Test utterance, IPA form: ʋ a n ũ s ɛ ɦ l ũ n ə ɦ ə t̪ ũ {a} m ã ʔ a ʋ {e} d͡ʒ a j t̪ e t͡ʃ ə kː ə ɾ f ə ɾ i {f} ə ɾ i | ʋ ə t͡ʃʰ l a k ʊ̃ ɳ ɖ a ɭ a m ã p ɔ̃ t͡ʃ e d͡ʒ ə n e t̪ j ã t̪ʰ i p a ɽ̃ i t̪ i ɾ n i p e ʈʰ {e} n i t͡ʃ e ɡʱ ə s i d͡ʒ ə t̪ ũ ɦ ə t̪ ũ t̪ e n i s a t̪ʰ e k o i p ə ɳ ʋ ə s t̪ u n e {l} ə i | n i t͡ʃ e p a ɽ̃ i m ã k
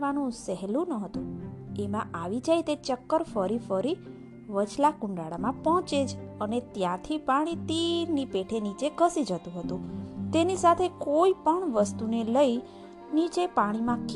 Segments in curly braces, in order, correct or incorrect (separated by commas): incorrect, incorrect, correct, correct, correct